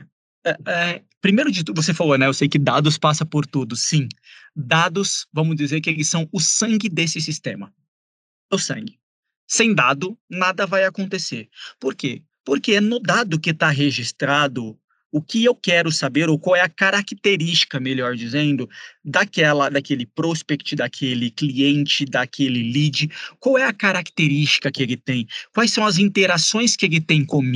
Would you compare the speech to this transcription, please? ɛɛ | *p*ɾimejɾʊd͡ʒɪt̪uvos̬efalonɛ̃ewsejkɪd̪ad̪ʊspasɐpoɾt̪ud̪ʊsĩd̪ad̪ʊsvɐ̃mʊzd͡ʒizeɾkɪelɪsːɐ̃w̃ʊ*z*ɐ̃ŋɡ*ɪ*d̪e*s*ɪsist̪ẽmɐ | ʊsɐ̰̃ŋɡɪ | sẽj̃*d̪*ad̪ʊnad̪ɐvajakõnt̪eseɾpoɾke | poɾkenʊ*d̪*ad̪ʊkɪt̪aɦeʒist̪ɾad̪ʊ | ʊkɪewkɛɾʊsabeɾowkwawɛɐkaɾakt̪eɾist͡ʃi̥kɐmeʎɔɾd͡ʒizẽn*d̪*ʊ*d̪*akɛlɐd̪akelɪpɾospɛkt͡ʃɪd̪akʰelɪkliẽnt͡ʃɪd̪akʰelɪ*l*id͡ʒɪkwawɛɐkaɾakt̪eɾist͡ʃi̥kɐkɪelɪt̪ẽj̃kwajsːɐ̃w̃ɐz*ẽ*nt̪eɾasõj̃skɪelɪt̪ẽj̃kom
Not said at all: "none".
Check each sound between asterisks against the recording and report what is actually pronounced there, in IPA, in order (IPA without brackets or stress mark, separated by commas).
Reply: p, s, ɪ, s, d̪, d̪, d̪, d̪, l, ĩ